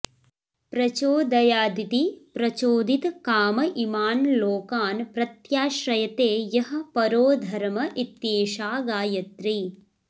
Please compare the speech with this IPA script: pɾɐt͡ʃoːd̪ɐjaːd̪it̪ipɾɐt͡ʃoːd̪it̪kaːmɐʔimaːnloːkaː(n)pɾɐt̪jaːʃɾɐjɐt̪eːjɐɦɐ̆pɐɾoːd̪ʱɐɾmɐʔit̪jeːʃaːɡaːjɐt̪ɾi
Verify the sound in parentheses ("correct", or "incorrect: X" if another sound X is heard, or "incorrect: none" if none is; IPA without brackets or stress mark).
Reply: correct